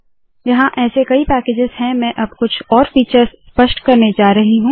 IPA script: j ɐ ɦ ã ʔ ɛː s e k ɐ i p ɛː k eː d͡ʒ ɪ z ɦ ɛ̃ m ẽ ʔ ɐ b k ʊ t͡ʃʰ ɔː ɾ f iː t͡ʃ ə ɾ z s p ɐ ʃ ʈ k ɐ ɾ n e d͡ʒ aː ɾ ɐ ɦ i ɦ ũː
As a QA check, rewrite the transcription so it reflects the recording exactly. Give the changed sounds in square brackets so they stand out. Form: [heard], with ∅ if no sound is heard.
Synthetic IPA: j ɐ ɦ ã ʔ ɛː s e k ɐ i p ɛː k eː d͡ʒ ɪ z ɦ ɛ̃ m [ɛ̃] ʔ ɐ b k ʊ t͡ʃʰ ɔː ɾ f iː t͡ʃ ə ɾ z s p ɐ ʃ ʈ k ɐ ɾ n e d͡ʒ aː ɾ ɐ ɦ i ɦ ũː